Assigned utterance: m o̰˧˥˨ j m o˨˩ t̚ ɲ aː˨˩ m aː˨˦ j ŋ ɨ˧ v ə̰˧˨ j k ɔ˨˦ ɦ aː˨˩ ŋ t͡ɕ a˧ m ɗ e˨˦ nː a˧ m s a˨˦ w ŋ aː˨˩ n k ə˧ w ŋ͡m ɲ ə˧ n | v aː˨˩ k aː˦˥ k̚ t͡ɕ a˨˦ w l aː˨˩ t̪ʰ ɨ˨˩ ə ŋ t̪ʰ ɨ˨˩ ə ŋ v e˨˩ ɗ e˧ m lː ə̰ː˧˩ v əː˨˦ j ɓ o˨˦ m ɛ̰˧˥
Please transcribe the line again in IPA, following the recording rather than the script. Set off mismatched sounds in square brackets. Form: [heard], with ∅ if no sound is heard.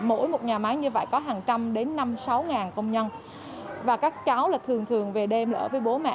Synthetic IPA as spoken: m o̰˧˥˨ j m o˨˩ t̚ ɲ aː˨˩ m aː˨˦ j [ɲ] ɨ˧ v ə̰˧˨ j k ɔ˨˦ ɦ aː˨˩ ŋ t͡ɕ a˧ m ɗ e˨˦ nː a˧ m s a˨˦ w ŋ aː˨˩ n k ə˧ w ŋ͡m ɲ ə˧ n | v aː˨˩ k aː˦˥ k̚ t͡ɕ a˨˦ w l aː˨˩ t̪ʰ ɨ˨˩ ə ŋ t̪ʰ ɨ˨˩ ə ŋ v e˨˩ ɗ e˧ m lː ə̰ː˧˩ v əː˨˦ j ɓ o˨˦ m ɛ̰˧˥